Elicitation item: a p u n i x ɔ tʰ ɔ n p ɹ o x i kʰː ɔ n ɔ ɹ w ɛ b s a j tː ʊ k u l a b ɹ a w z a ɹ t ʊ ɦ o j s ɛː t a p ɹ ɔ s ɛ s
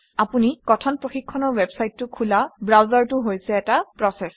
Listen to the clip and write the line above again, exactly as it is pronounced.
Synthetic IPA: a p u n i k ɔ tʰ ɔ n p ɹ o x i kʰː ɔ n ɔ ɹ w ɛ b s a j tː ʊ kʰ u l a b ɹ a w z a ɹ t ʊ ɦ o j s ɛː t a p ɹ ɔ s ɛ s